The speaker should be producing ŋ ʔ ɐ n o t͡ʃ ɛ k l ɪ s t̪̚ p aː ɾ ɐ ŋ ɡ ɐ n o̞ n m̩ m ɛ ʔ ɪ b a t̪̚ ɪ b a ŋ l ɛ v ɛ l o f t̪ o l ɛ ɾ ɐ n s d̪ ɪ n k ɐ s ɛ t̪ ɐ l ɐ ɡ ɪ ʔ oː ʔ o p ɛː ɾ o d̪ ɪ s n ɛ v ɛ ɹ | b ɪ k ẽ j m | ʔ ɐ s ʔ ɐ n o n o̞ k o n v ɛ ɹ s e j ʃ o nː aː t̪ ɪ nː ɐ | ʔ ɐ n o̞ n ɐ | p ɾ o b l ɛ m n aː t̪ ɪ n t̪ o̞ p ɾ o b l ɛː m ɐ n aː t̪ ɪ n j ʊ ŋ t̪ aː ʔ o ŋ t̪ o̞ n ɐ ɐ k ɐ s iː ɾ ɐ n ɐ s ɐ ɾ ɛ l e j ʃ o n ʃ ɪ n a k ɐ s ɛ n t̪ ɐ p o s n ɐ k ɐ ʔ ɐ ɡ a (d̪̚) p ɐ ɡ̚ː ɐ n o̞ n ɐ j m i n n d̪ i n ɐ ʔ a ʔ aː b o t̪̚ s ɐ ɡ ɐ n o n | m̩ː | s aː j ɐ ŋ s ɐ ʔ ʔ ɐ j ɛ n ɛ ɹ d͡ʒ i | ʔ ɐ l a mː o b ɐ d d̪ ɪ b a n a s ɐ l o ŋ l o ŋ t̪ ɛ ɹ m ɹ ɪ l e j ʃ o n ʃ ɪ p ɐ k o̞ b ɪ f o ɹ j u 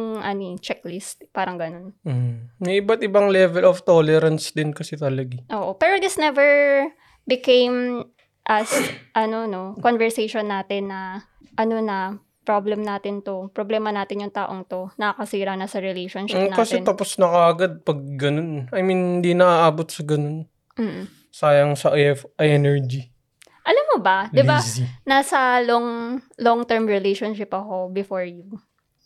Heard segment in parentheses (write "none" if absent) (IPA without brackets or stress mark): d̪̚